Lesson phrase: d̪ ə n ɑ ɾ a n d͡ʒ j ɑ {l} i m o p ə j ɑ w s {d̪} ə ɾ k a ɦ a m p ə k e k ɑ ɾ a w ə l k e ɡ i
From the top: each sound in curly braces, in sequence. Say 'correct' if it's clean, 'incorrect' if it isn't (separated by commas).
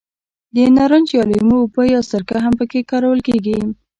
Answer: correct, incorrect